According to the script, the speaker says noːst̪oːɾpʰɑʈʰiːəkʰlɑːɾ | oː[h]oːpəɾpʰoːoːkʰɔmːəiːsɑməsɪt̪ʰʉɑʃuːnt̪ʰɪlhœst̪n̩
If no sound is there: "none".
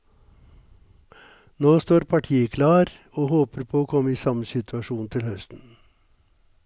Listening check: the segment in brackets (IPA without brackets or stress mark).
h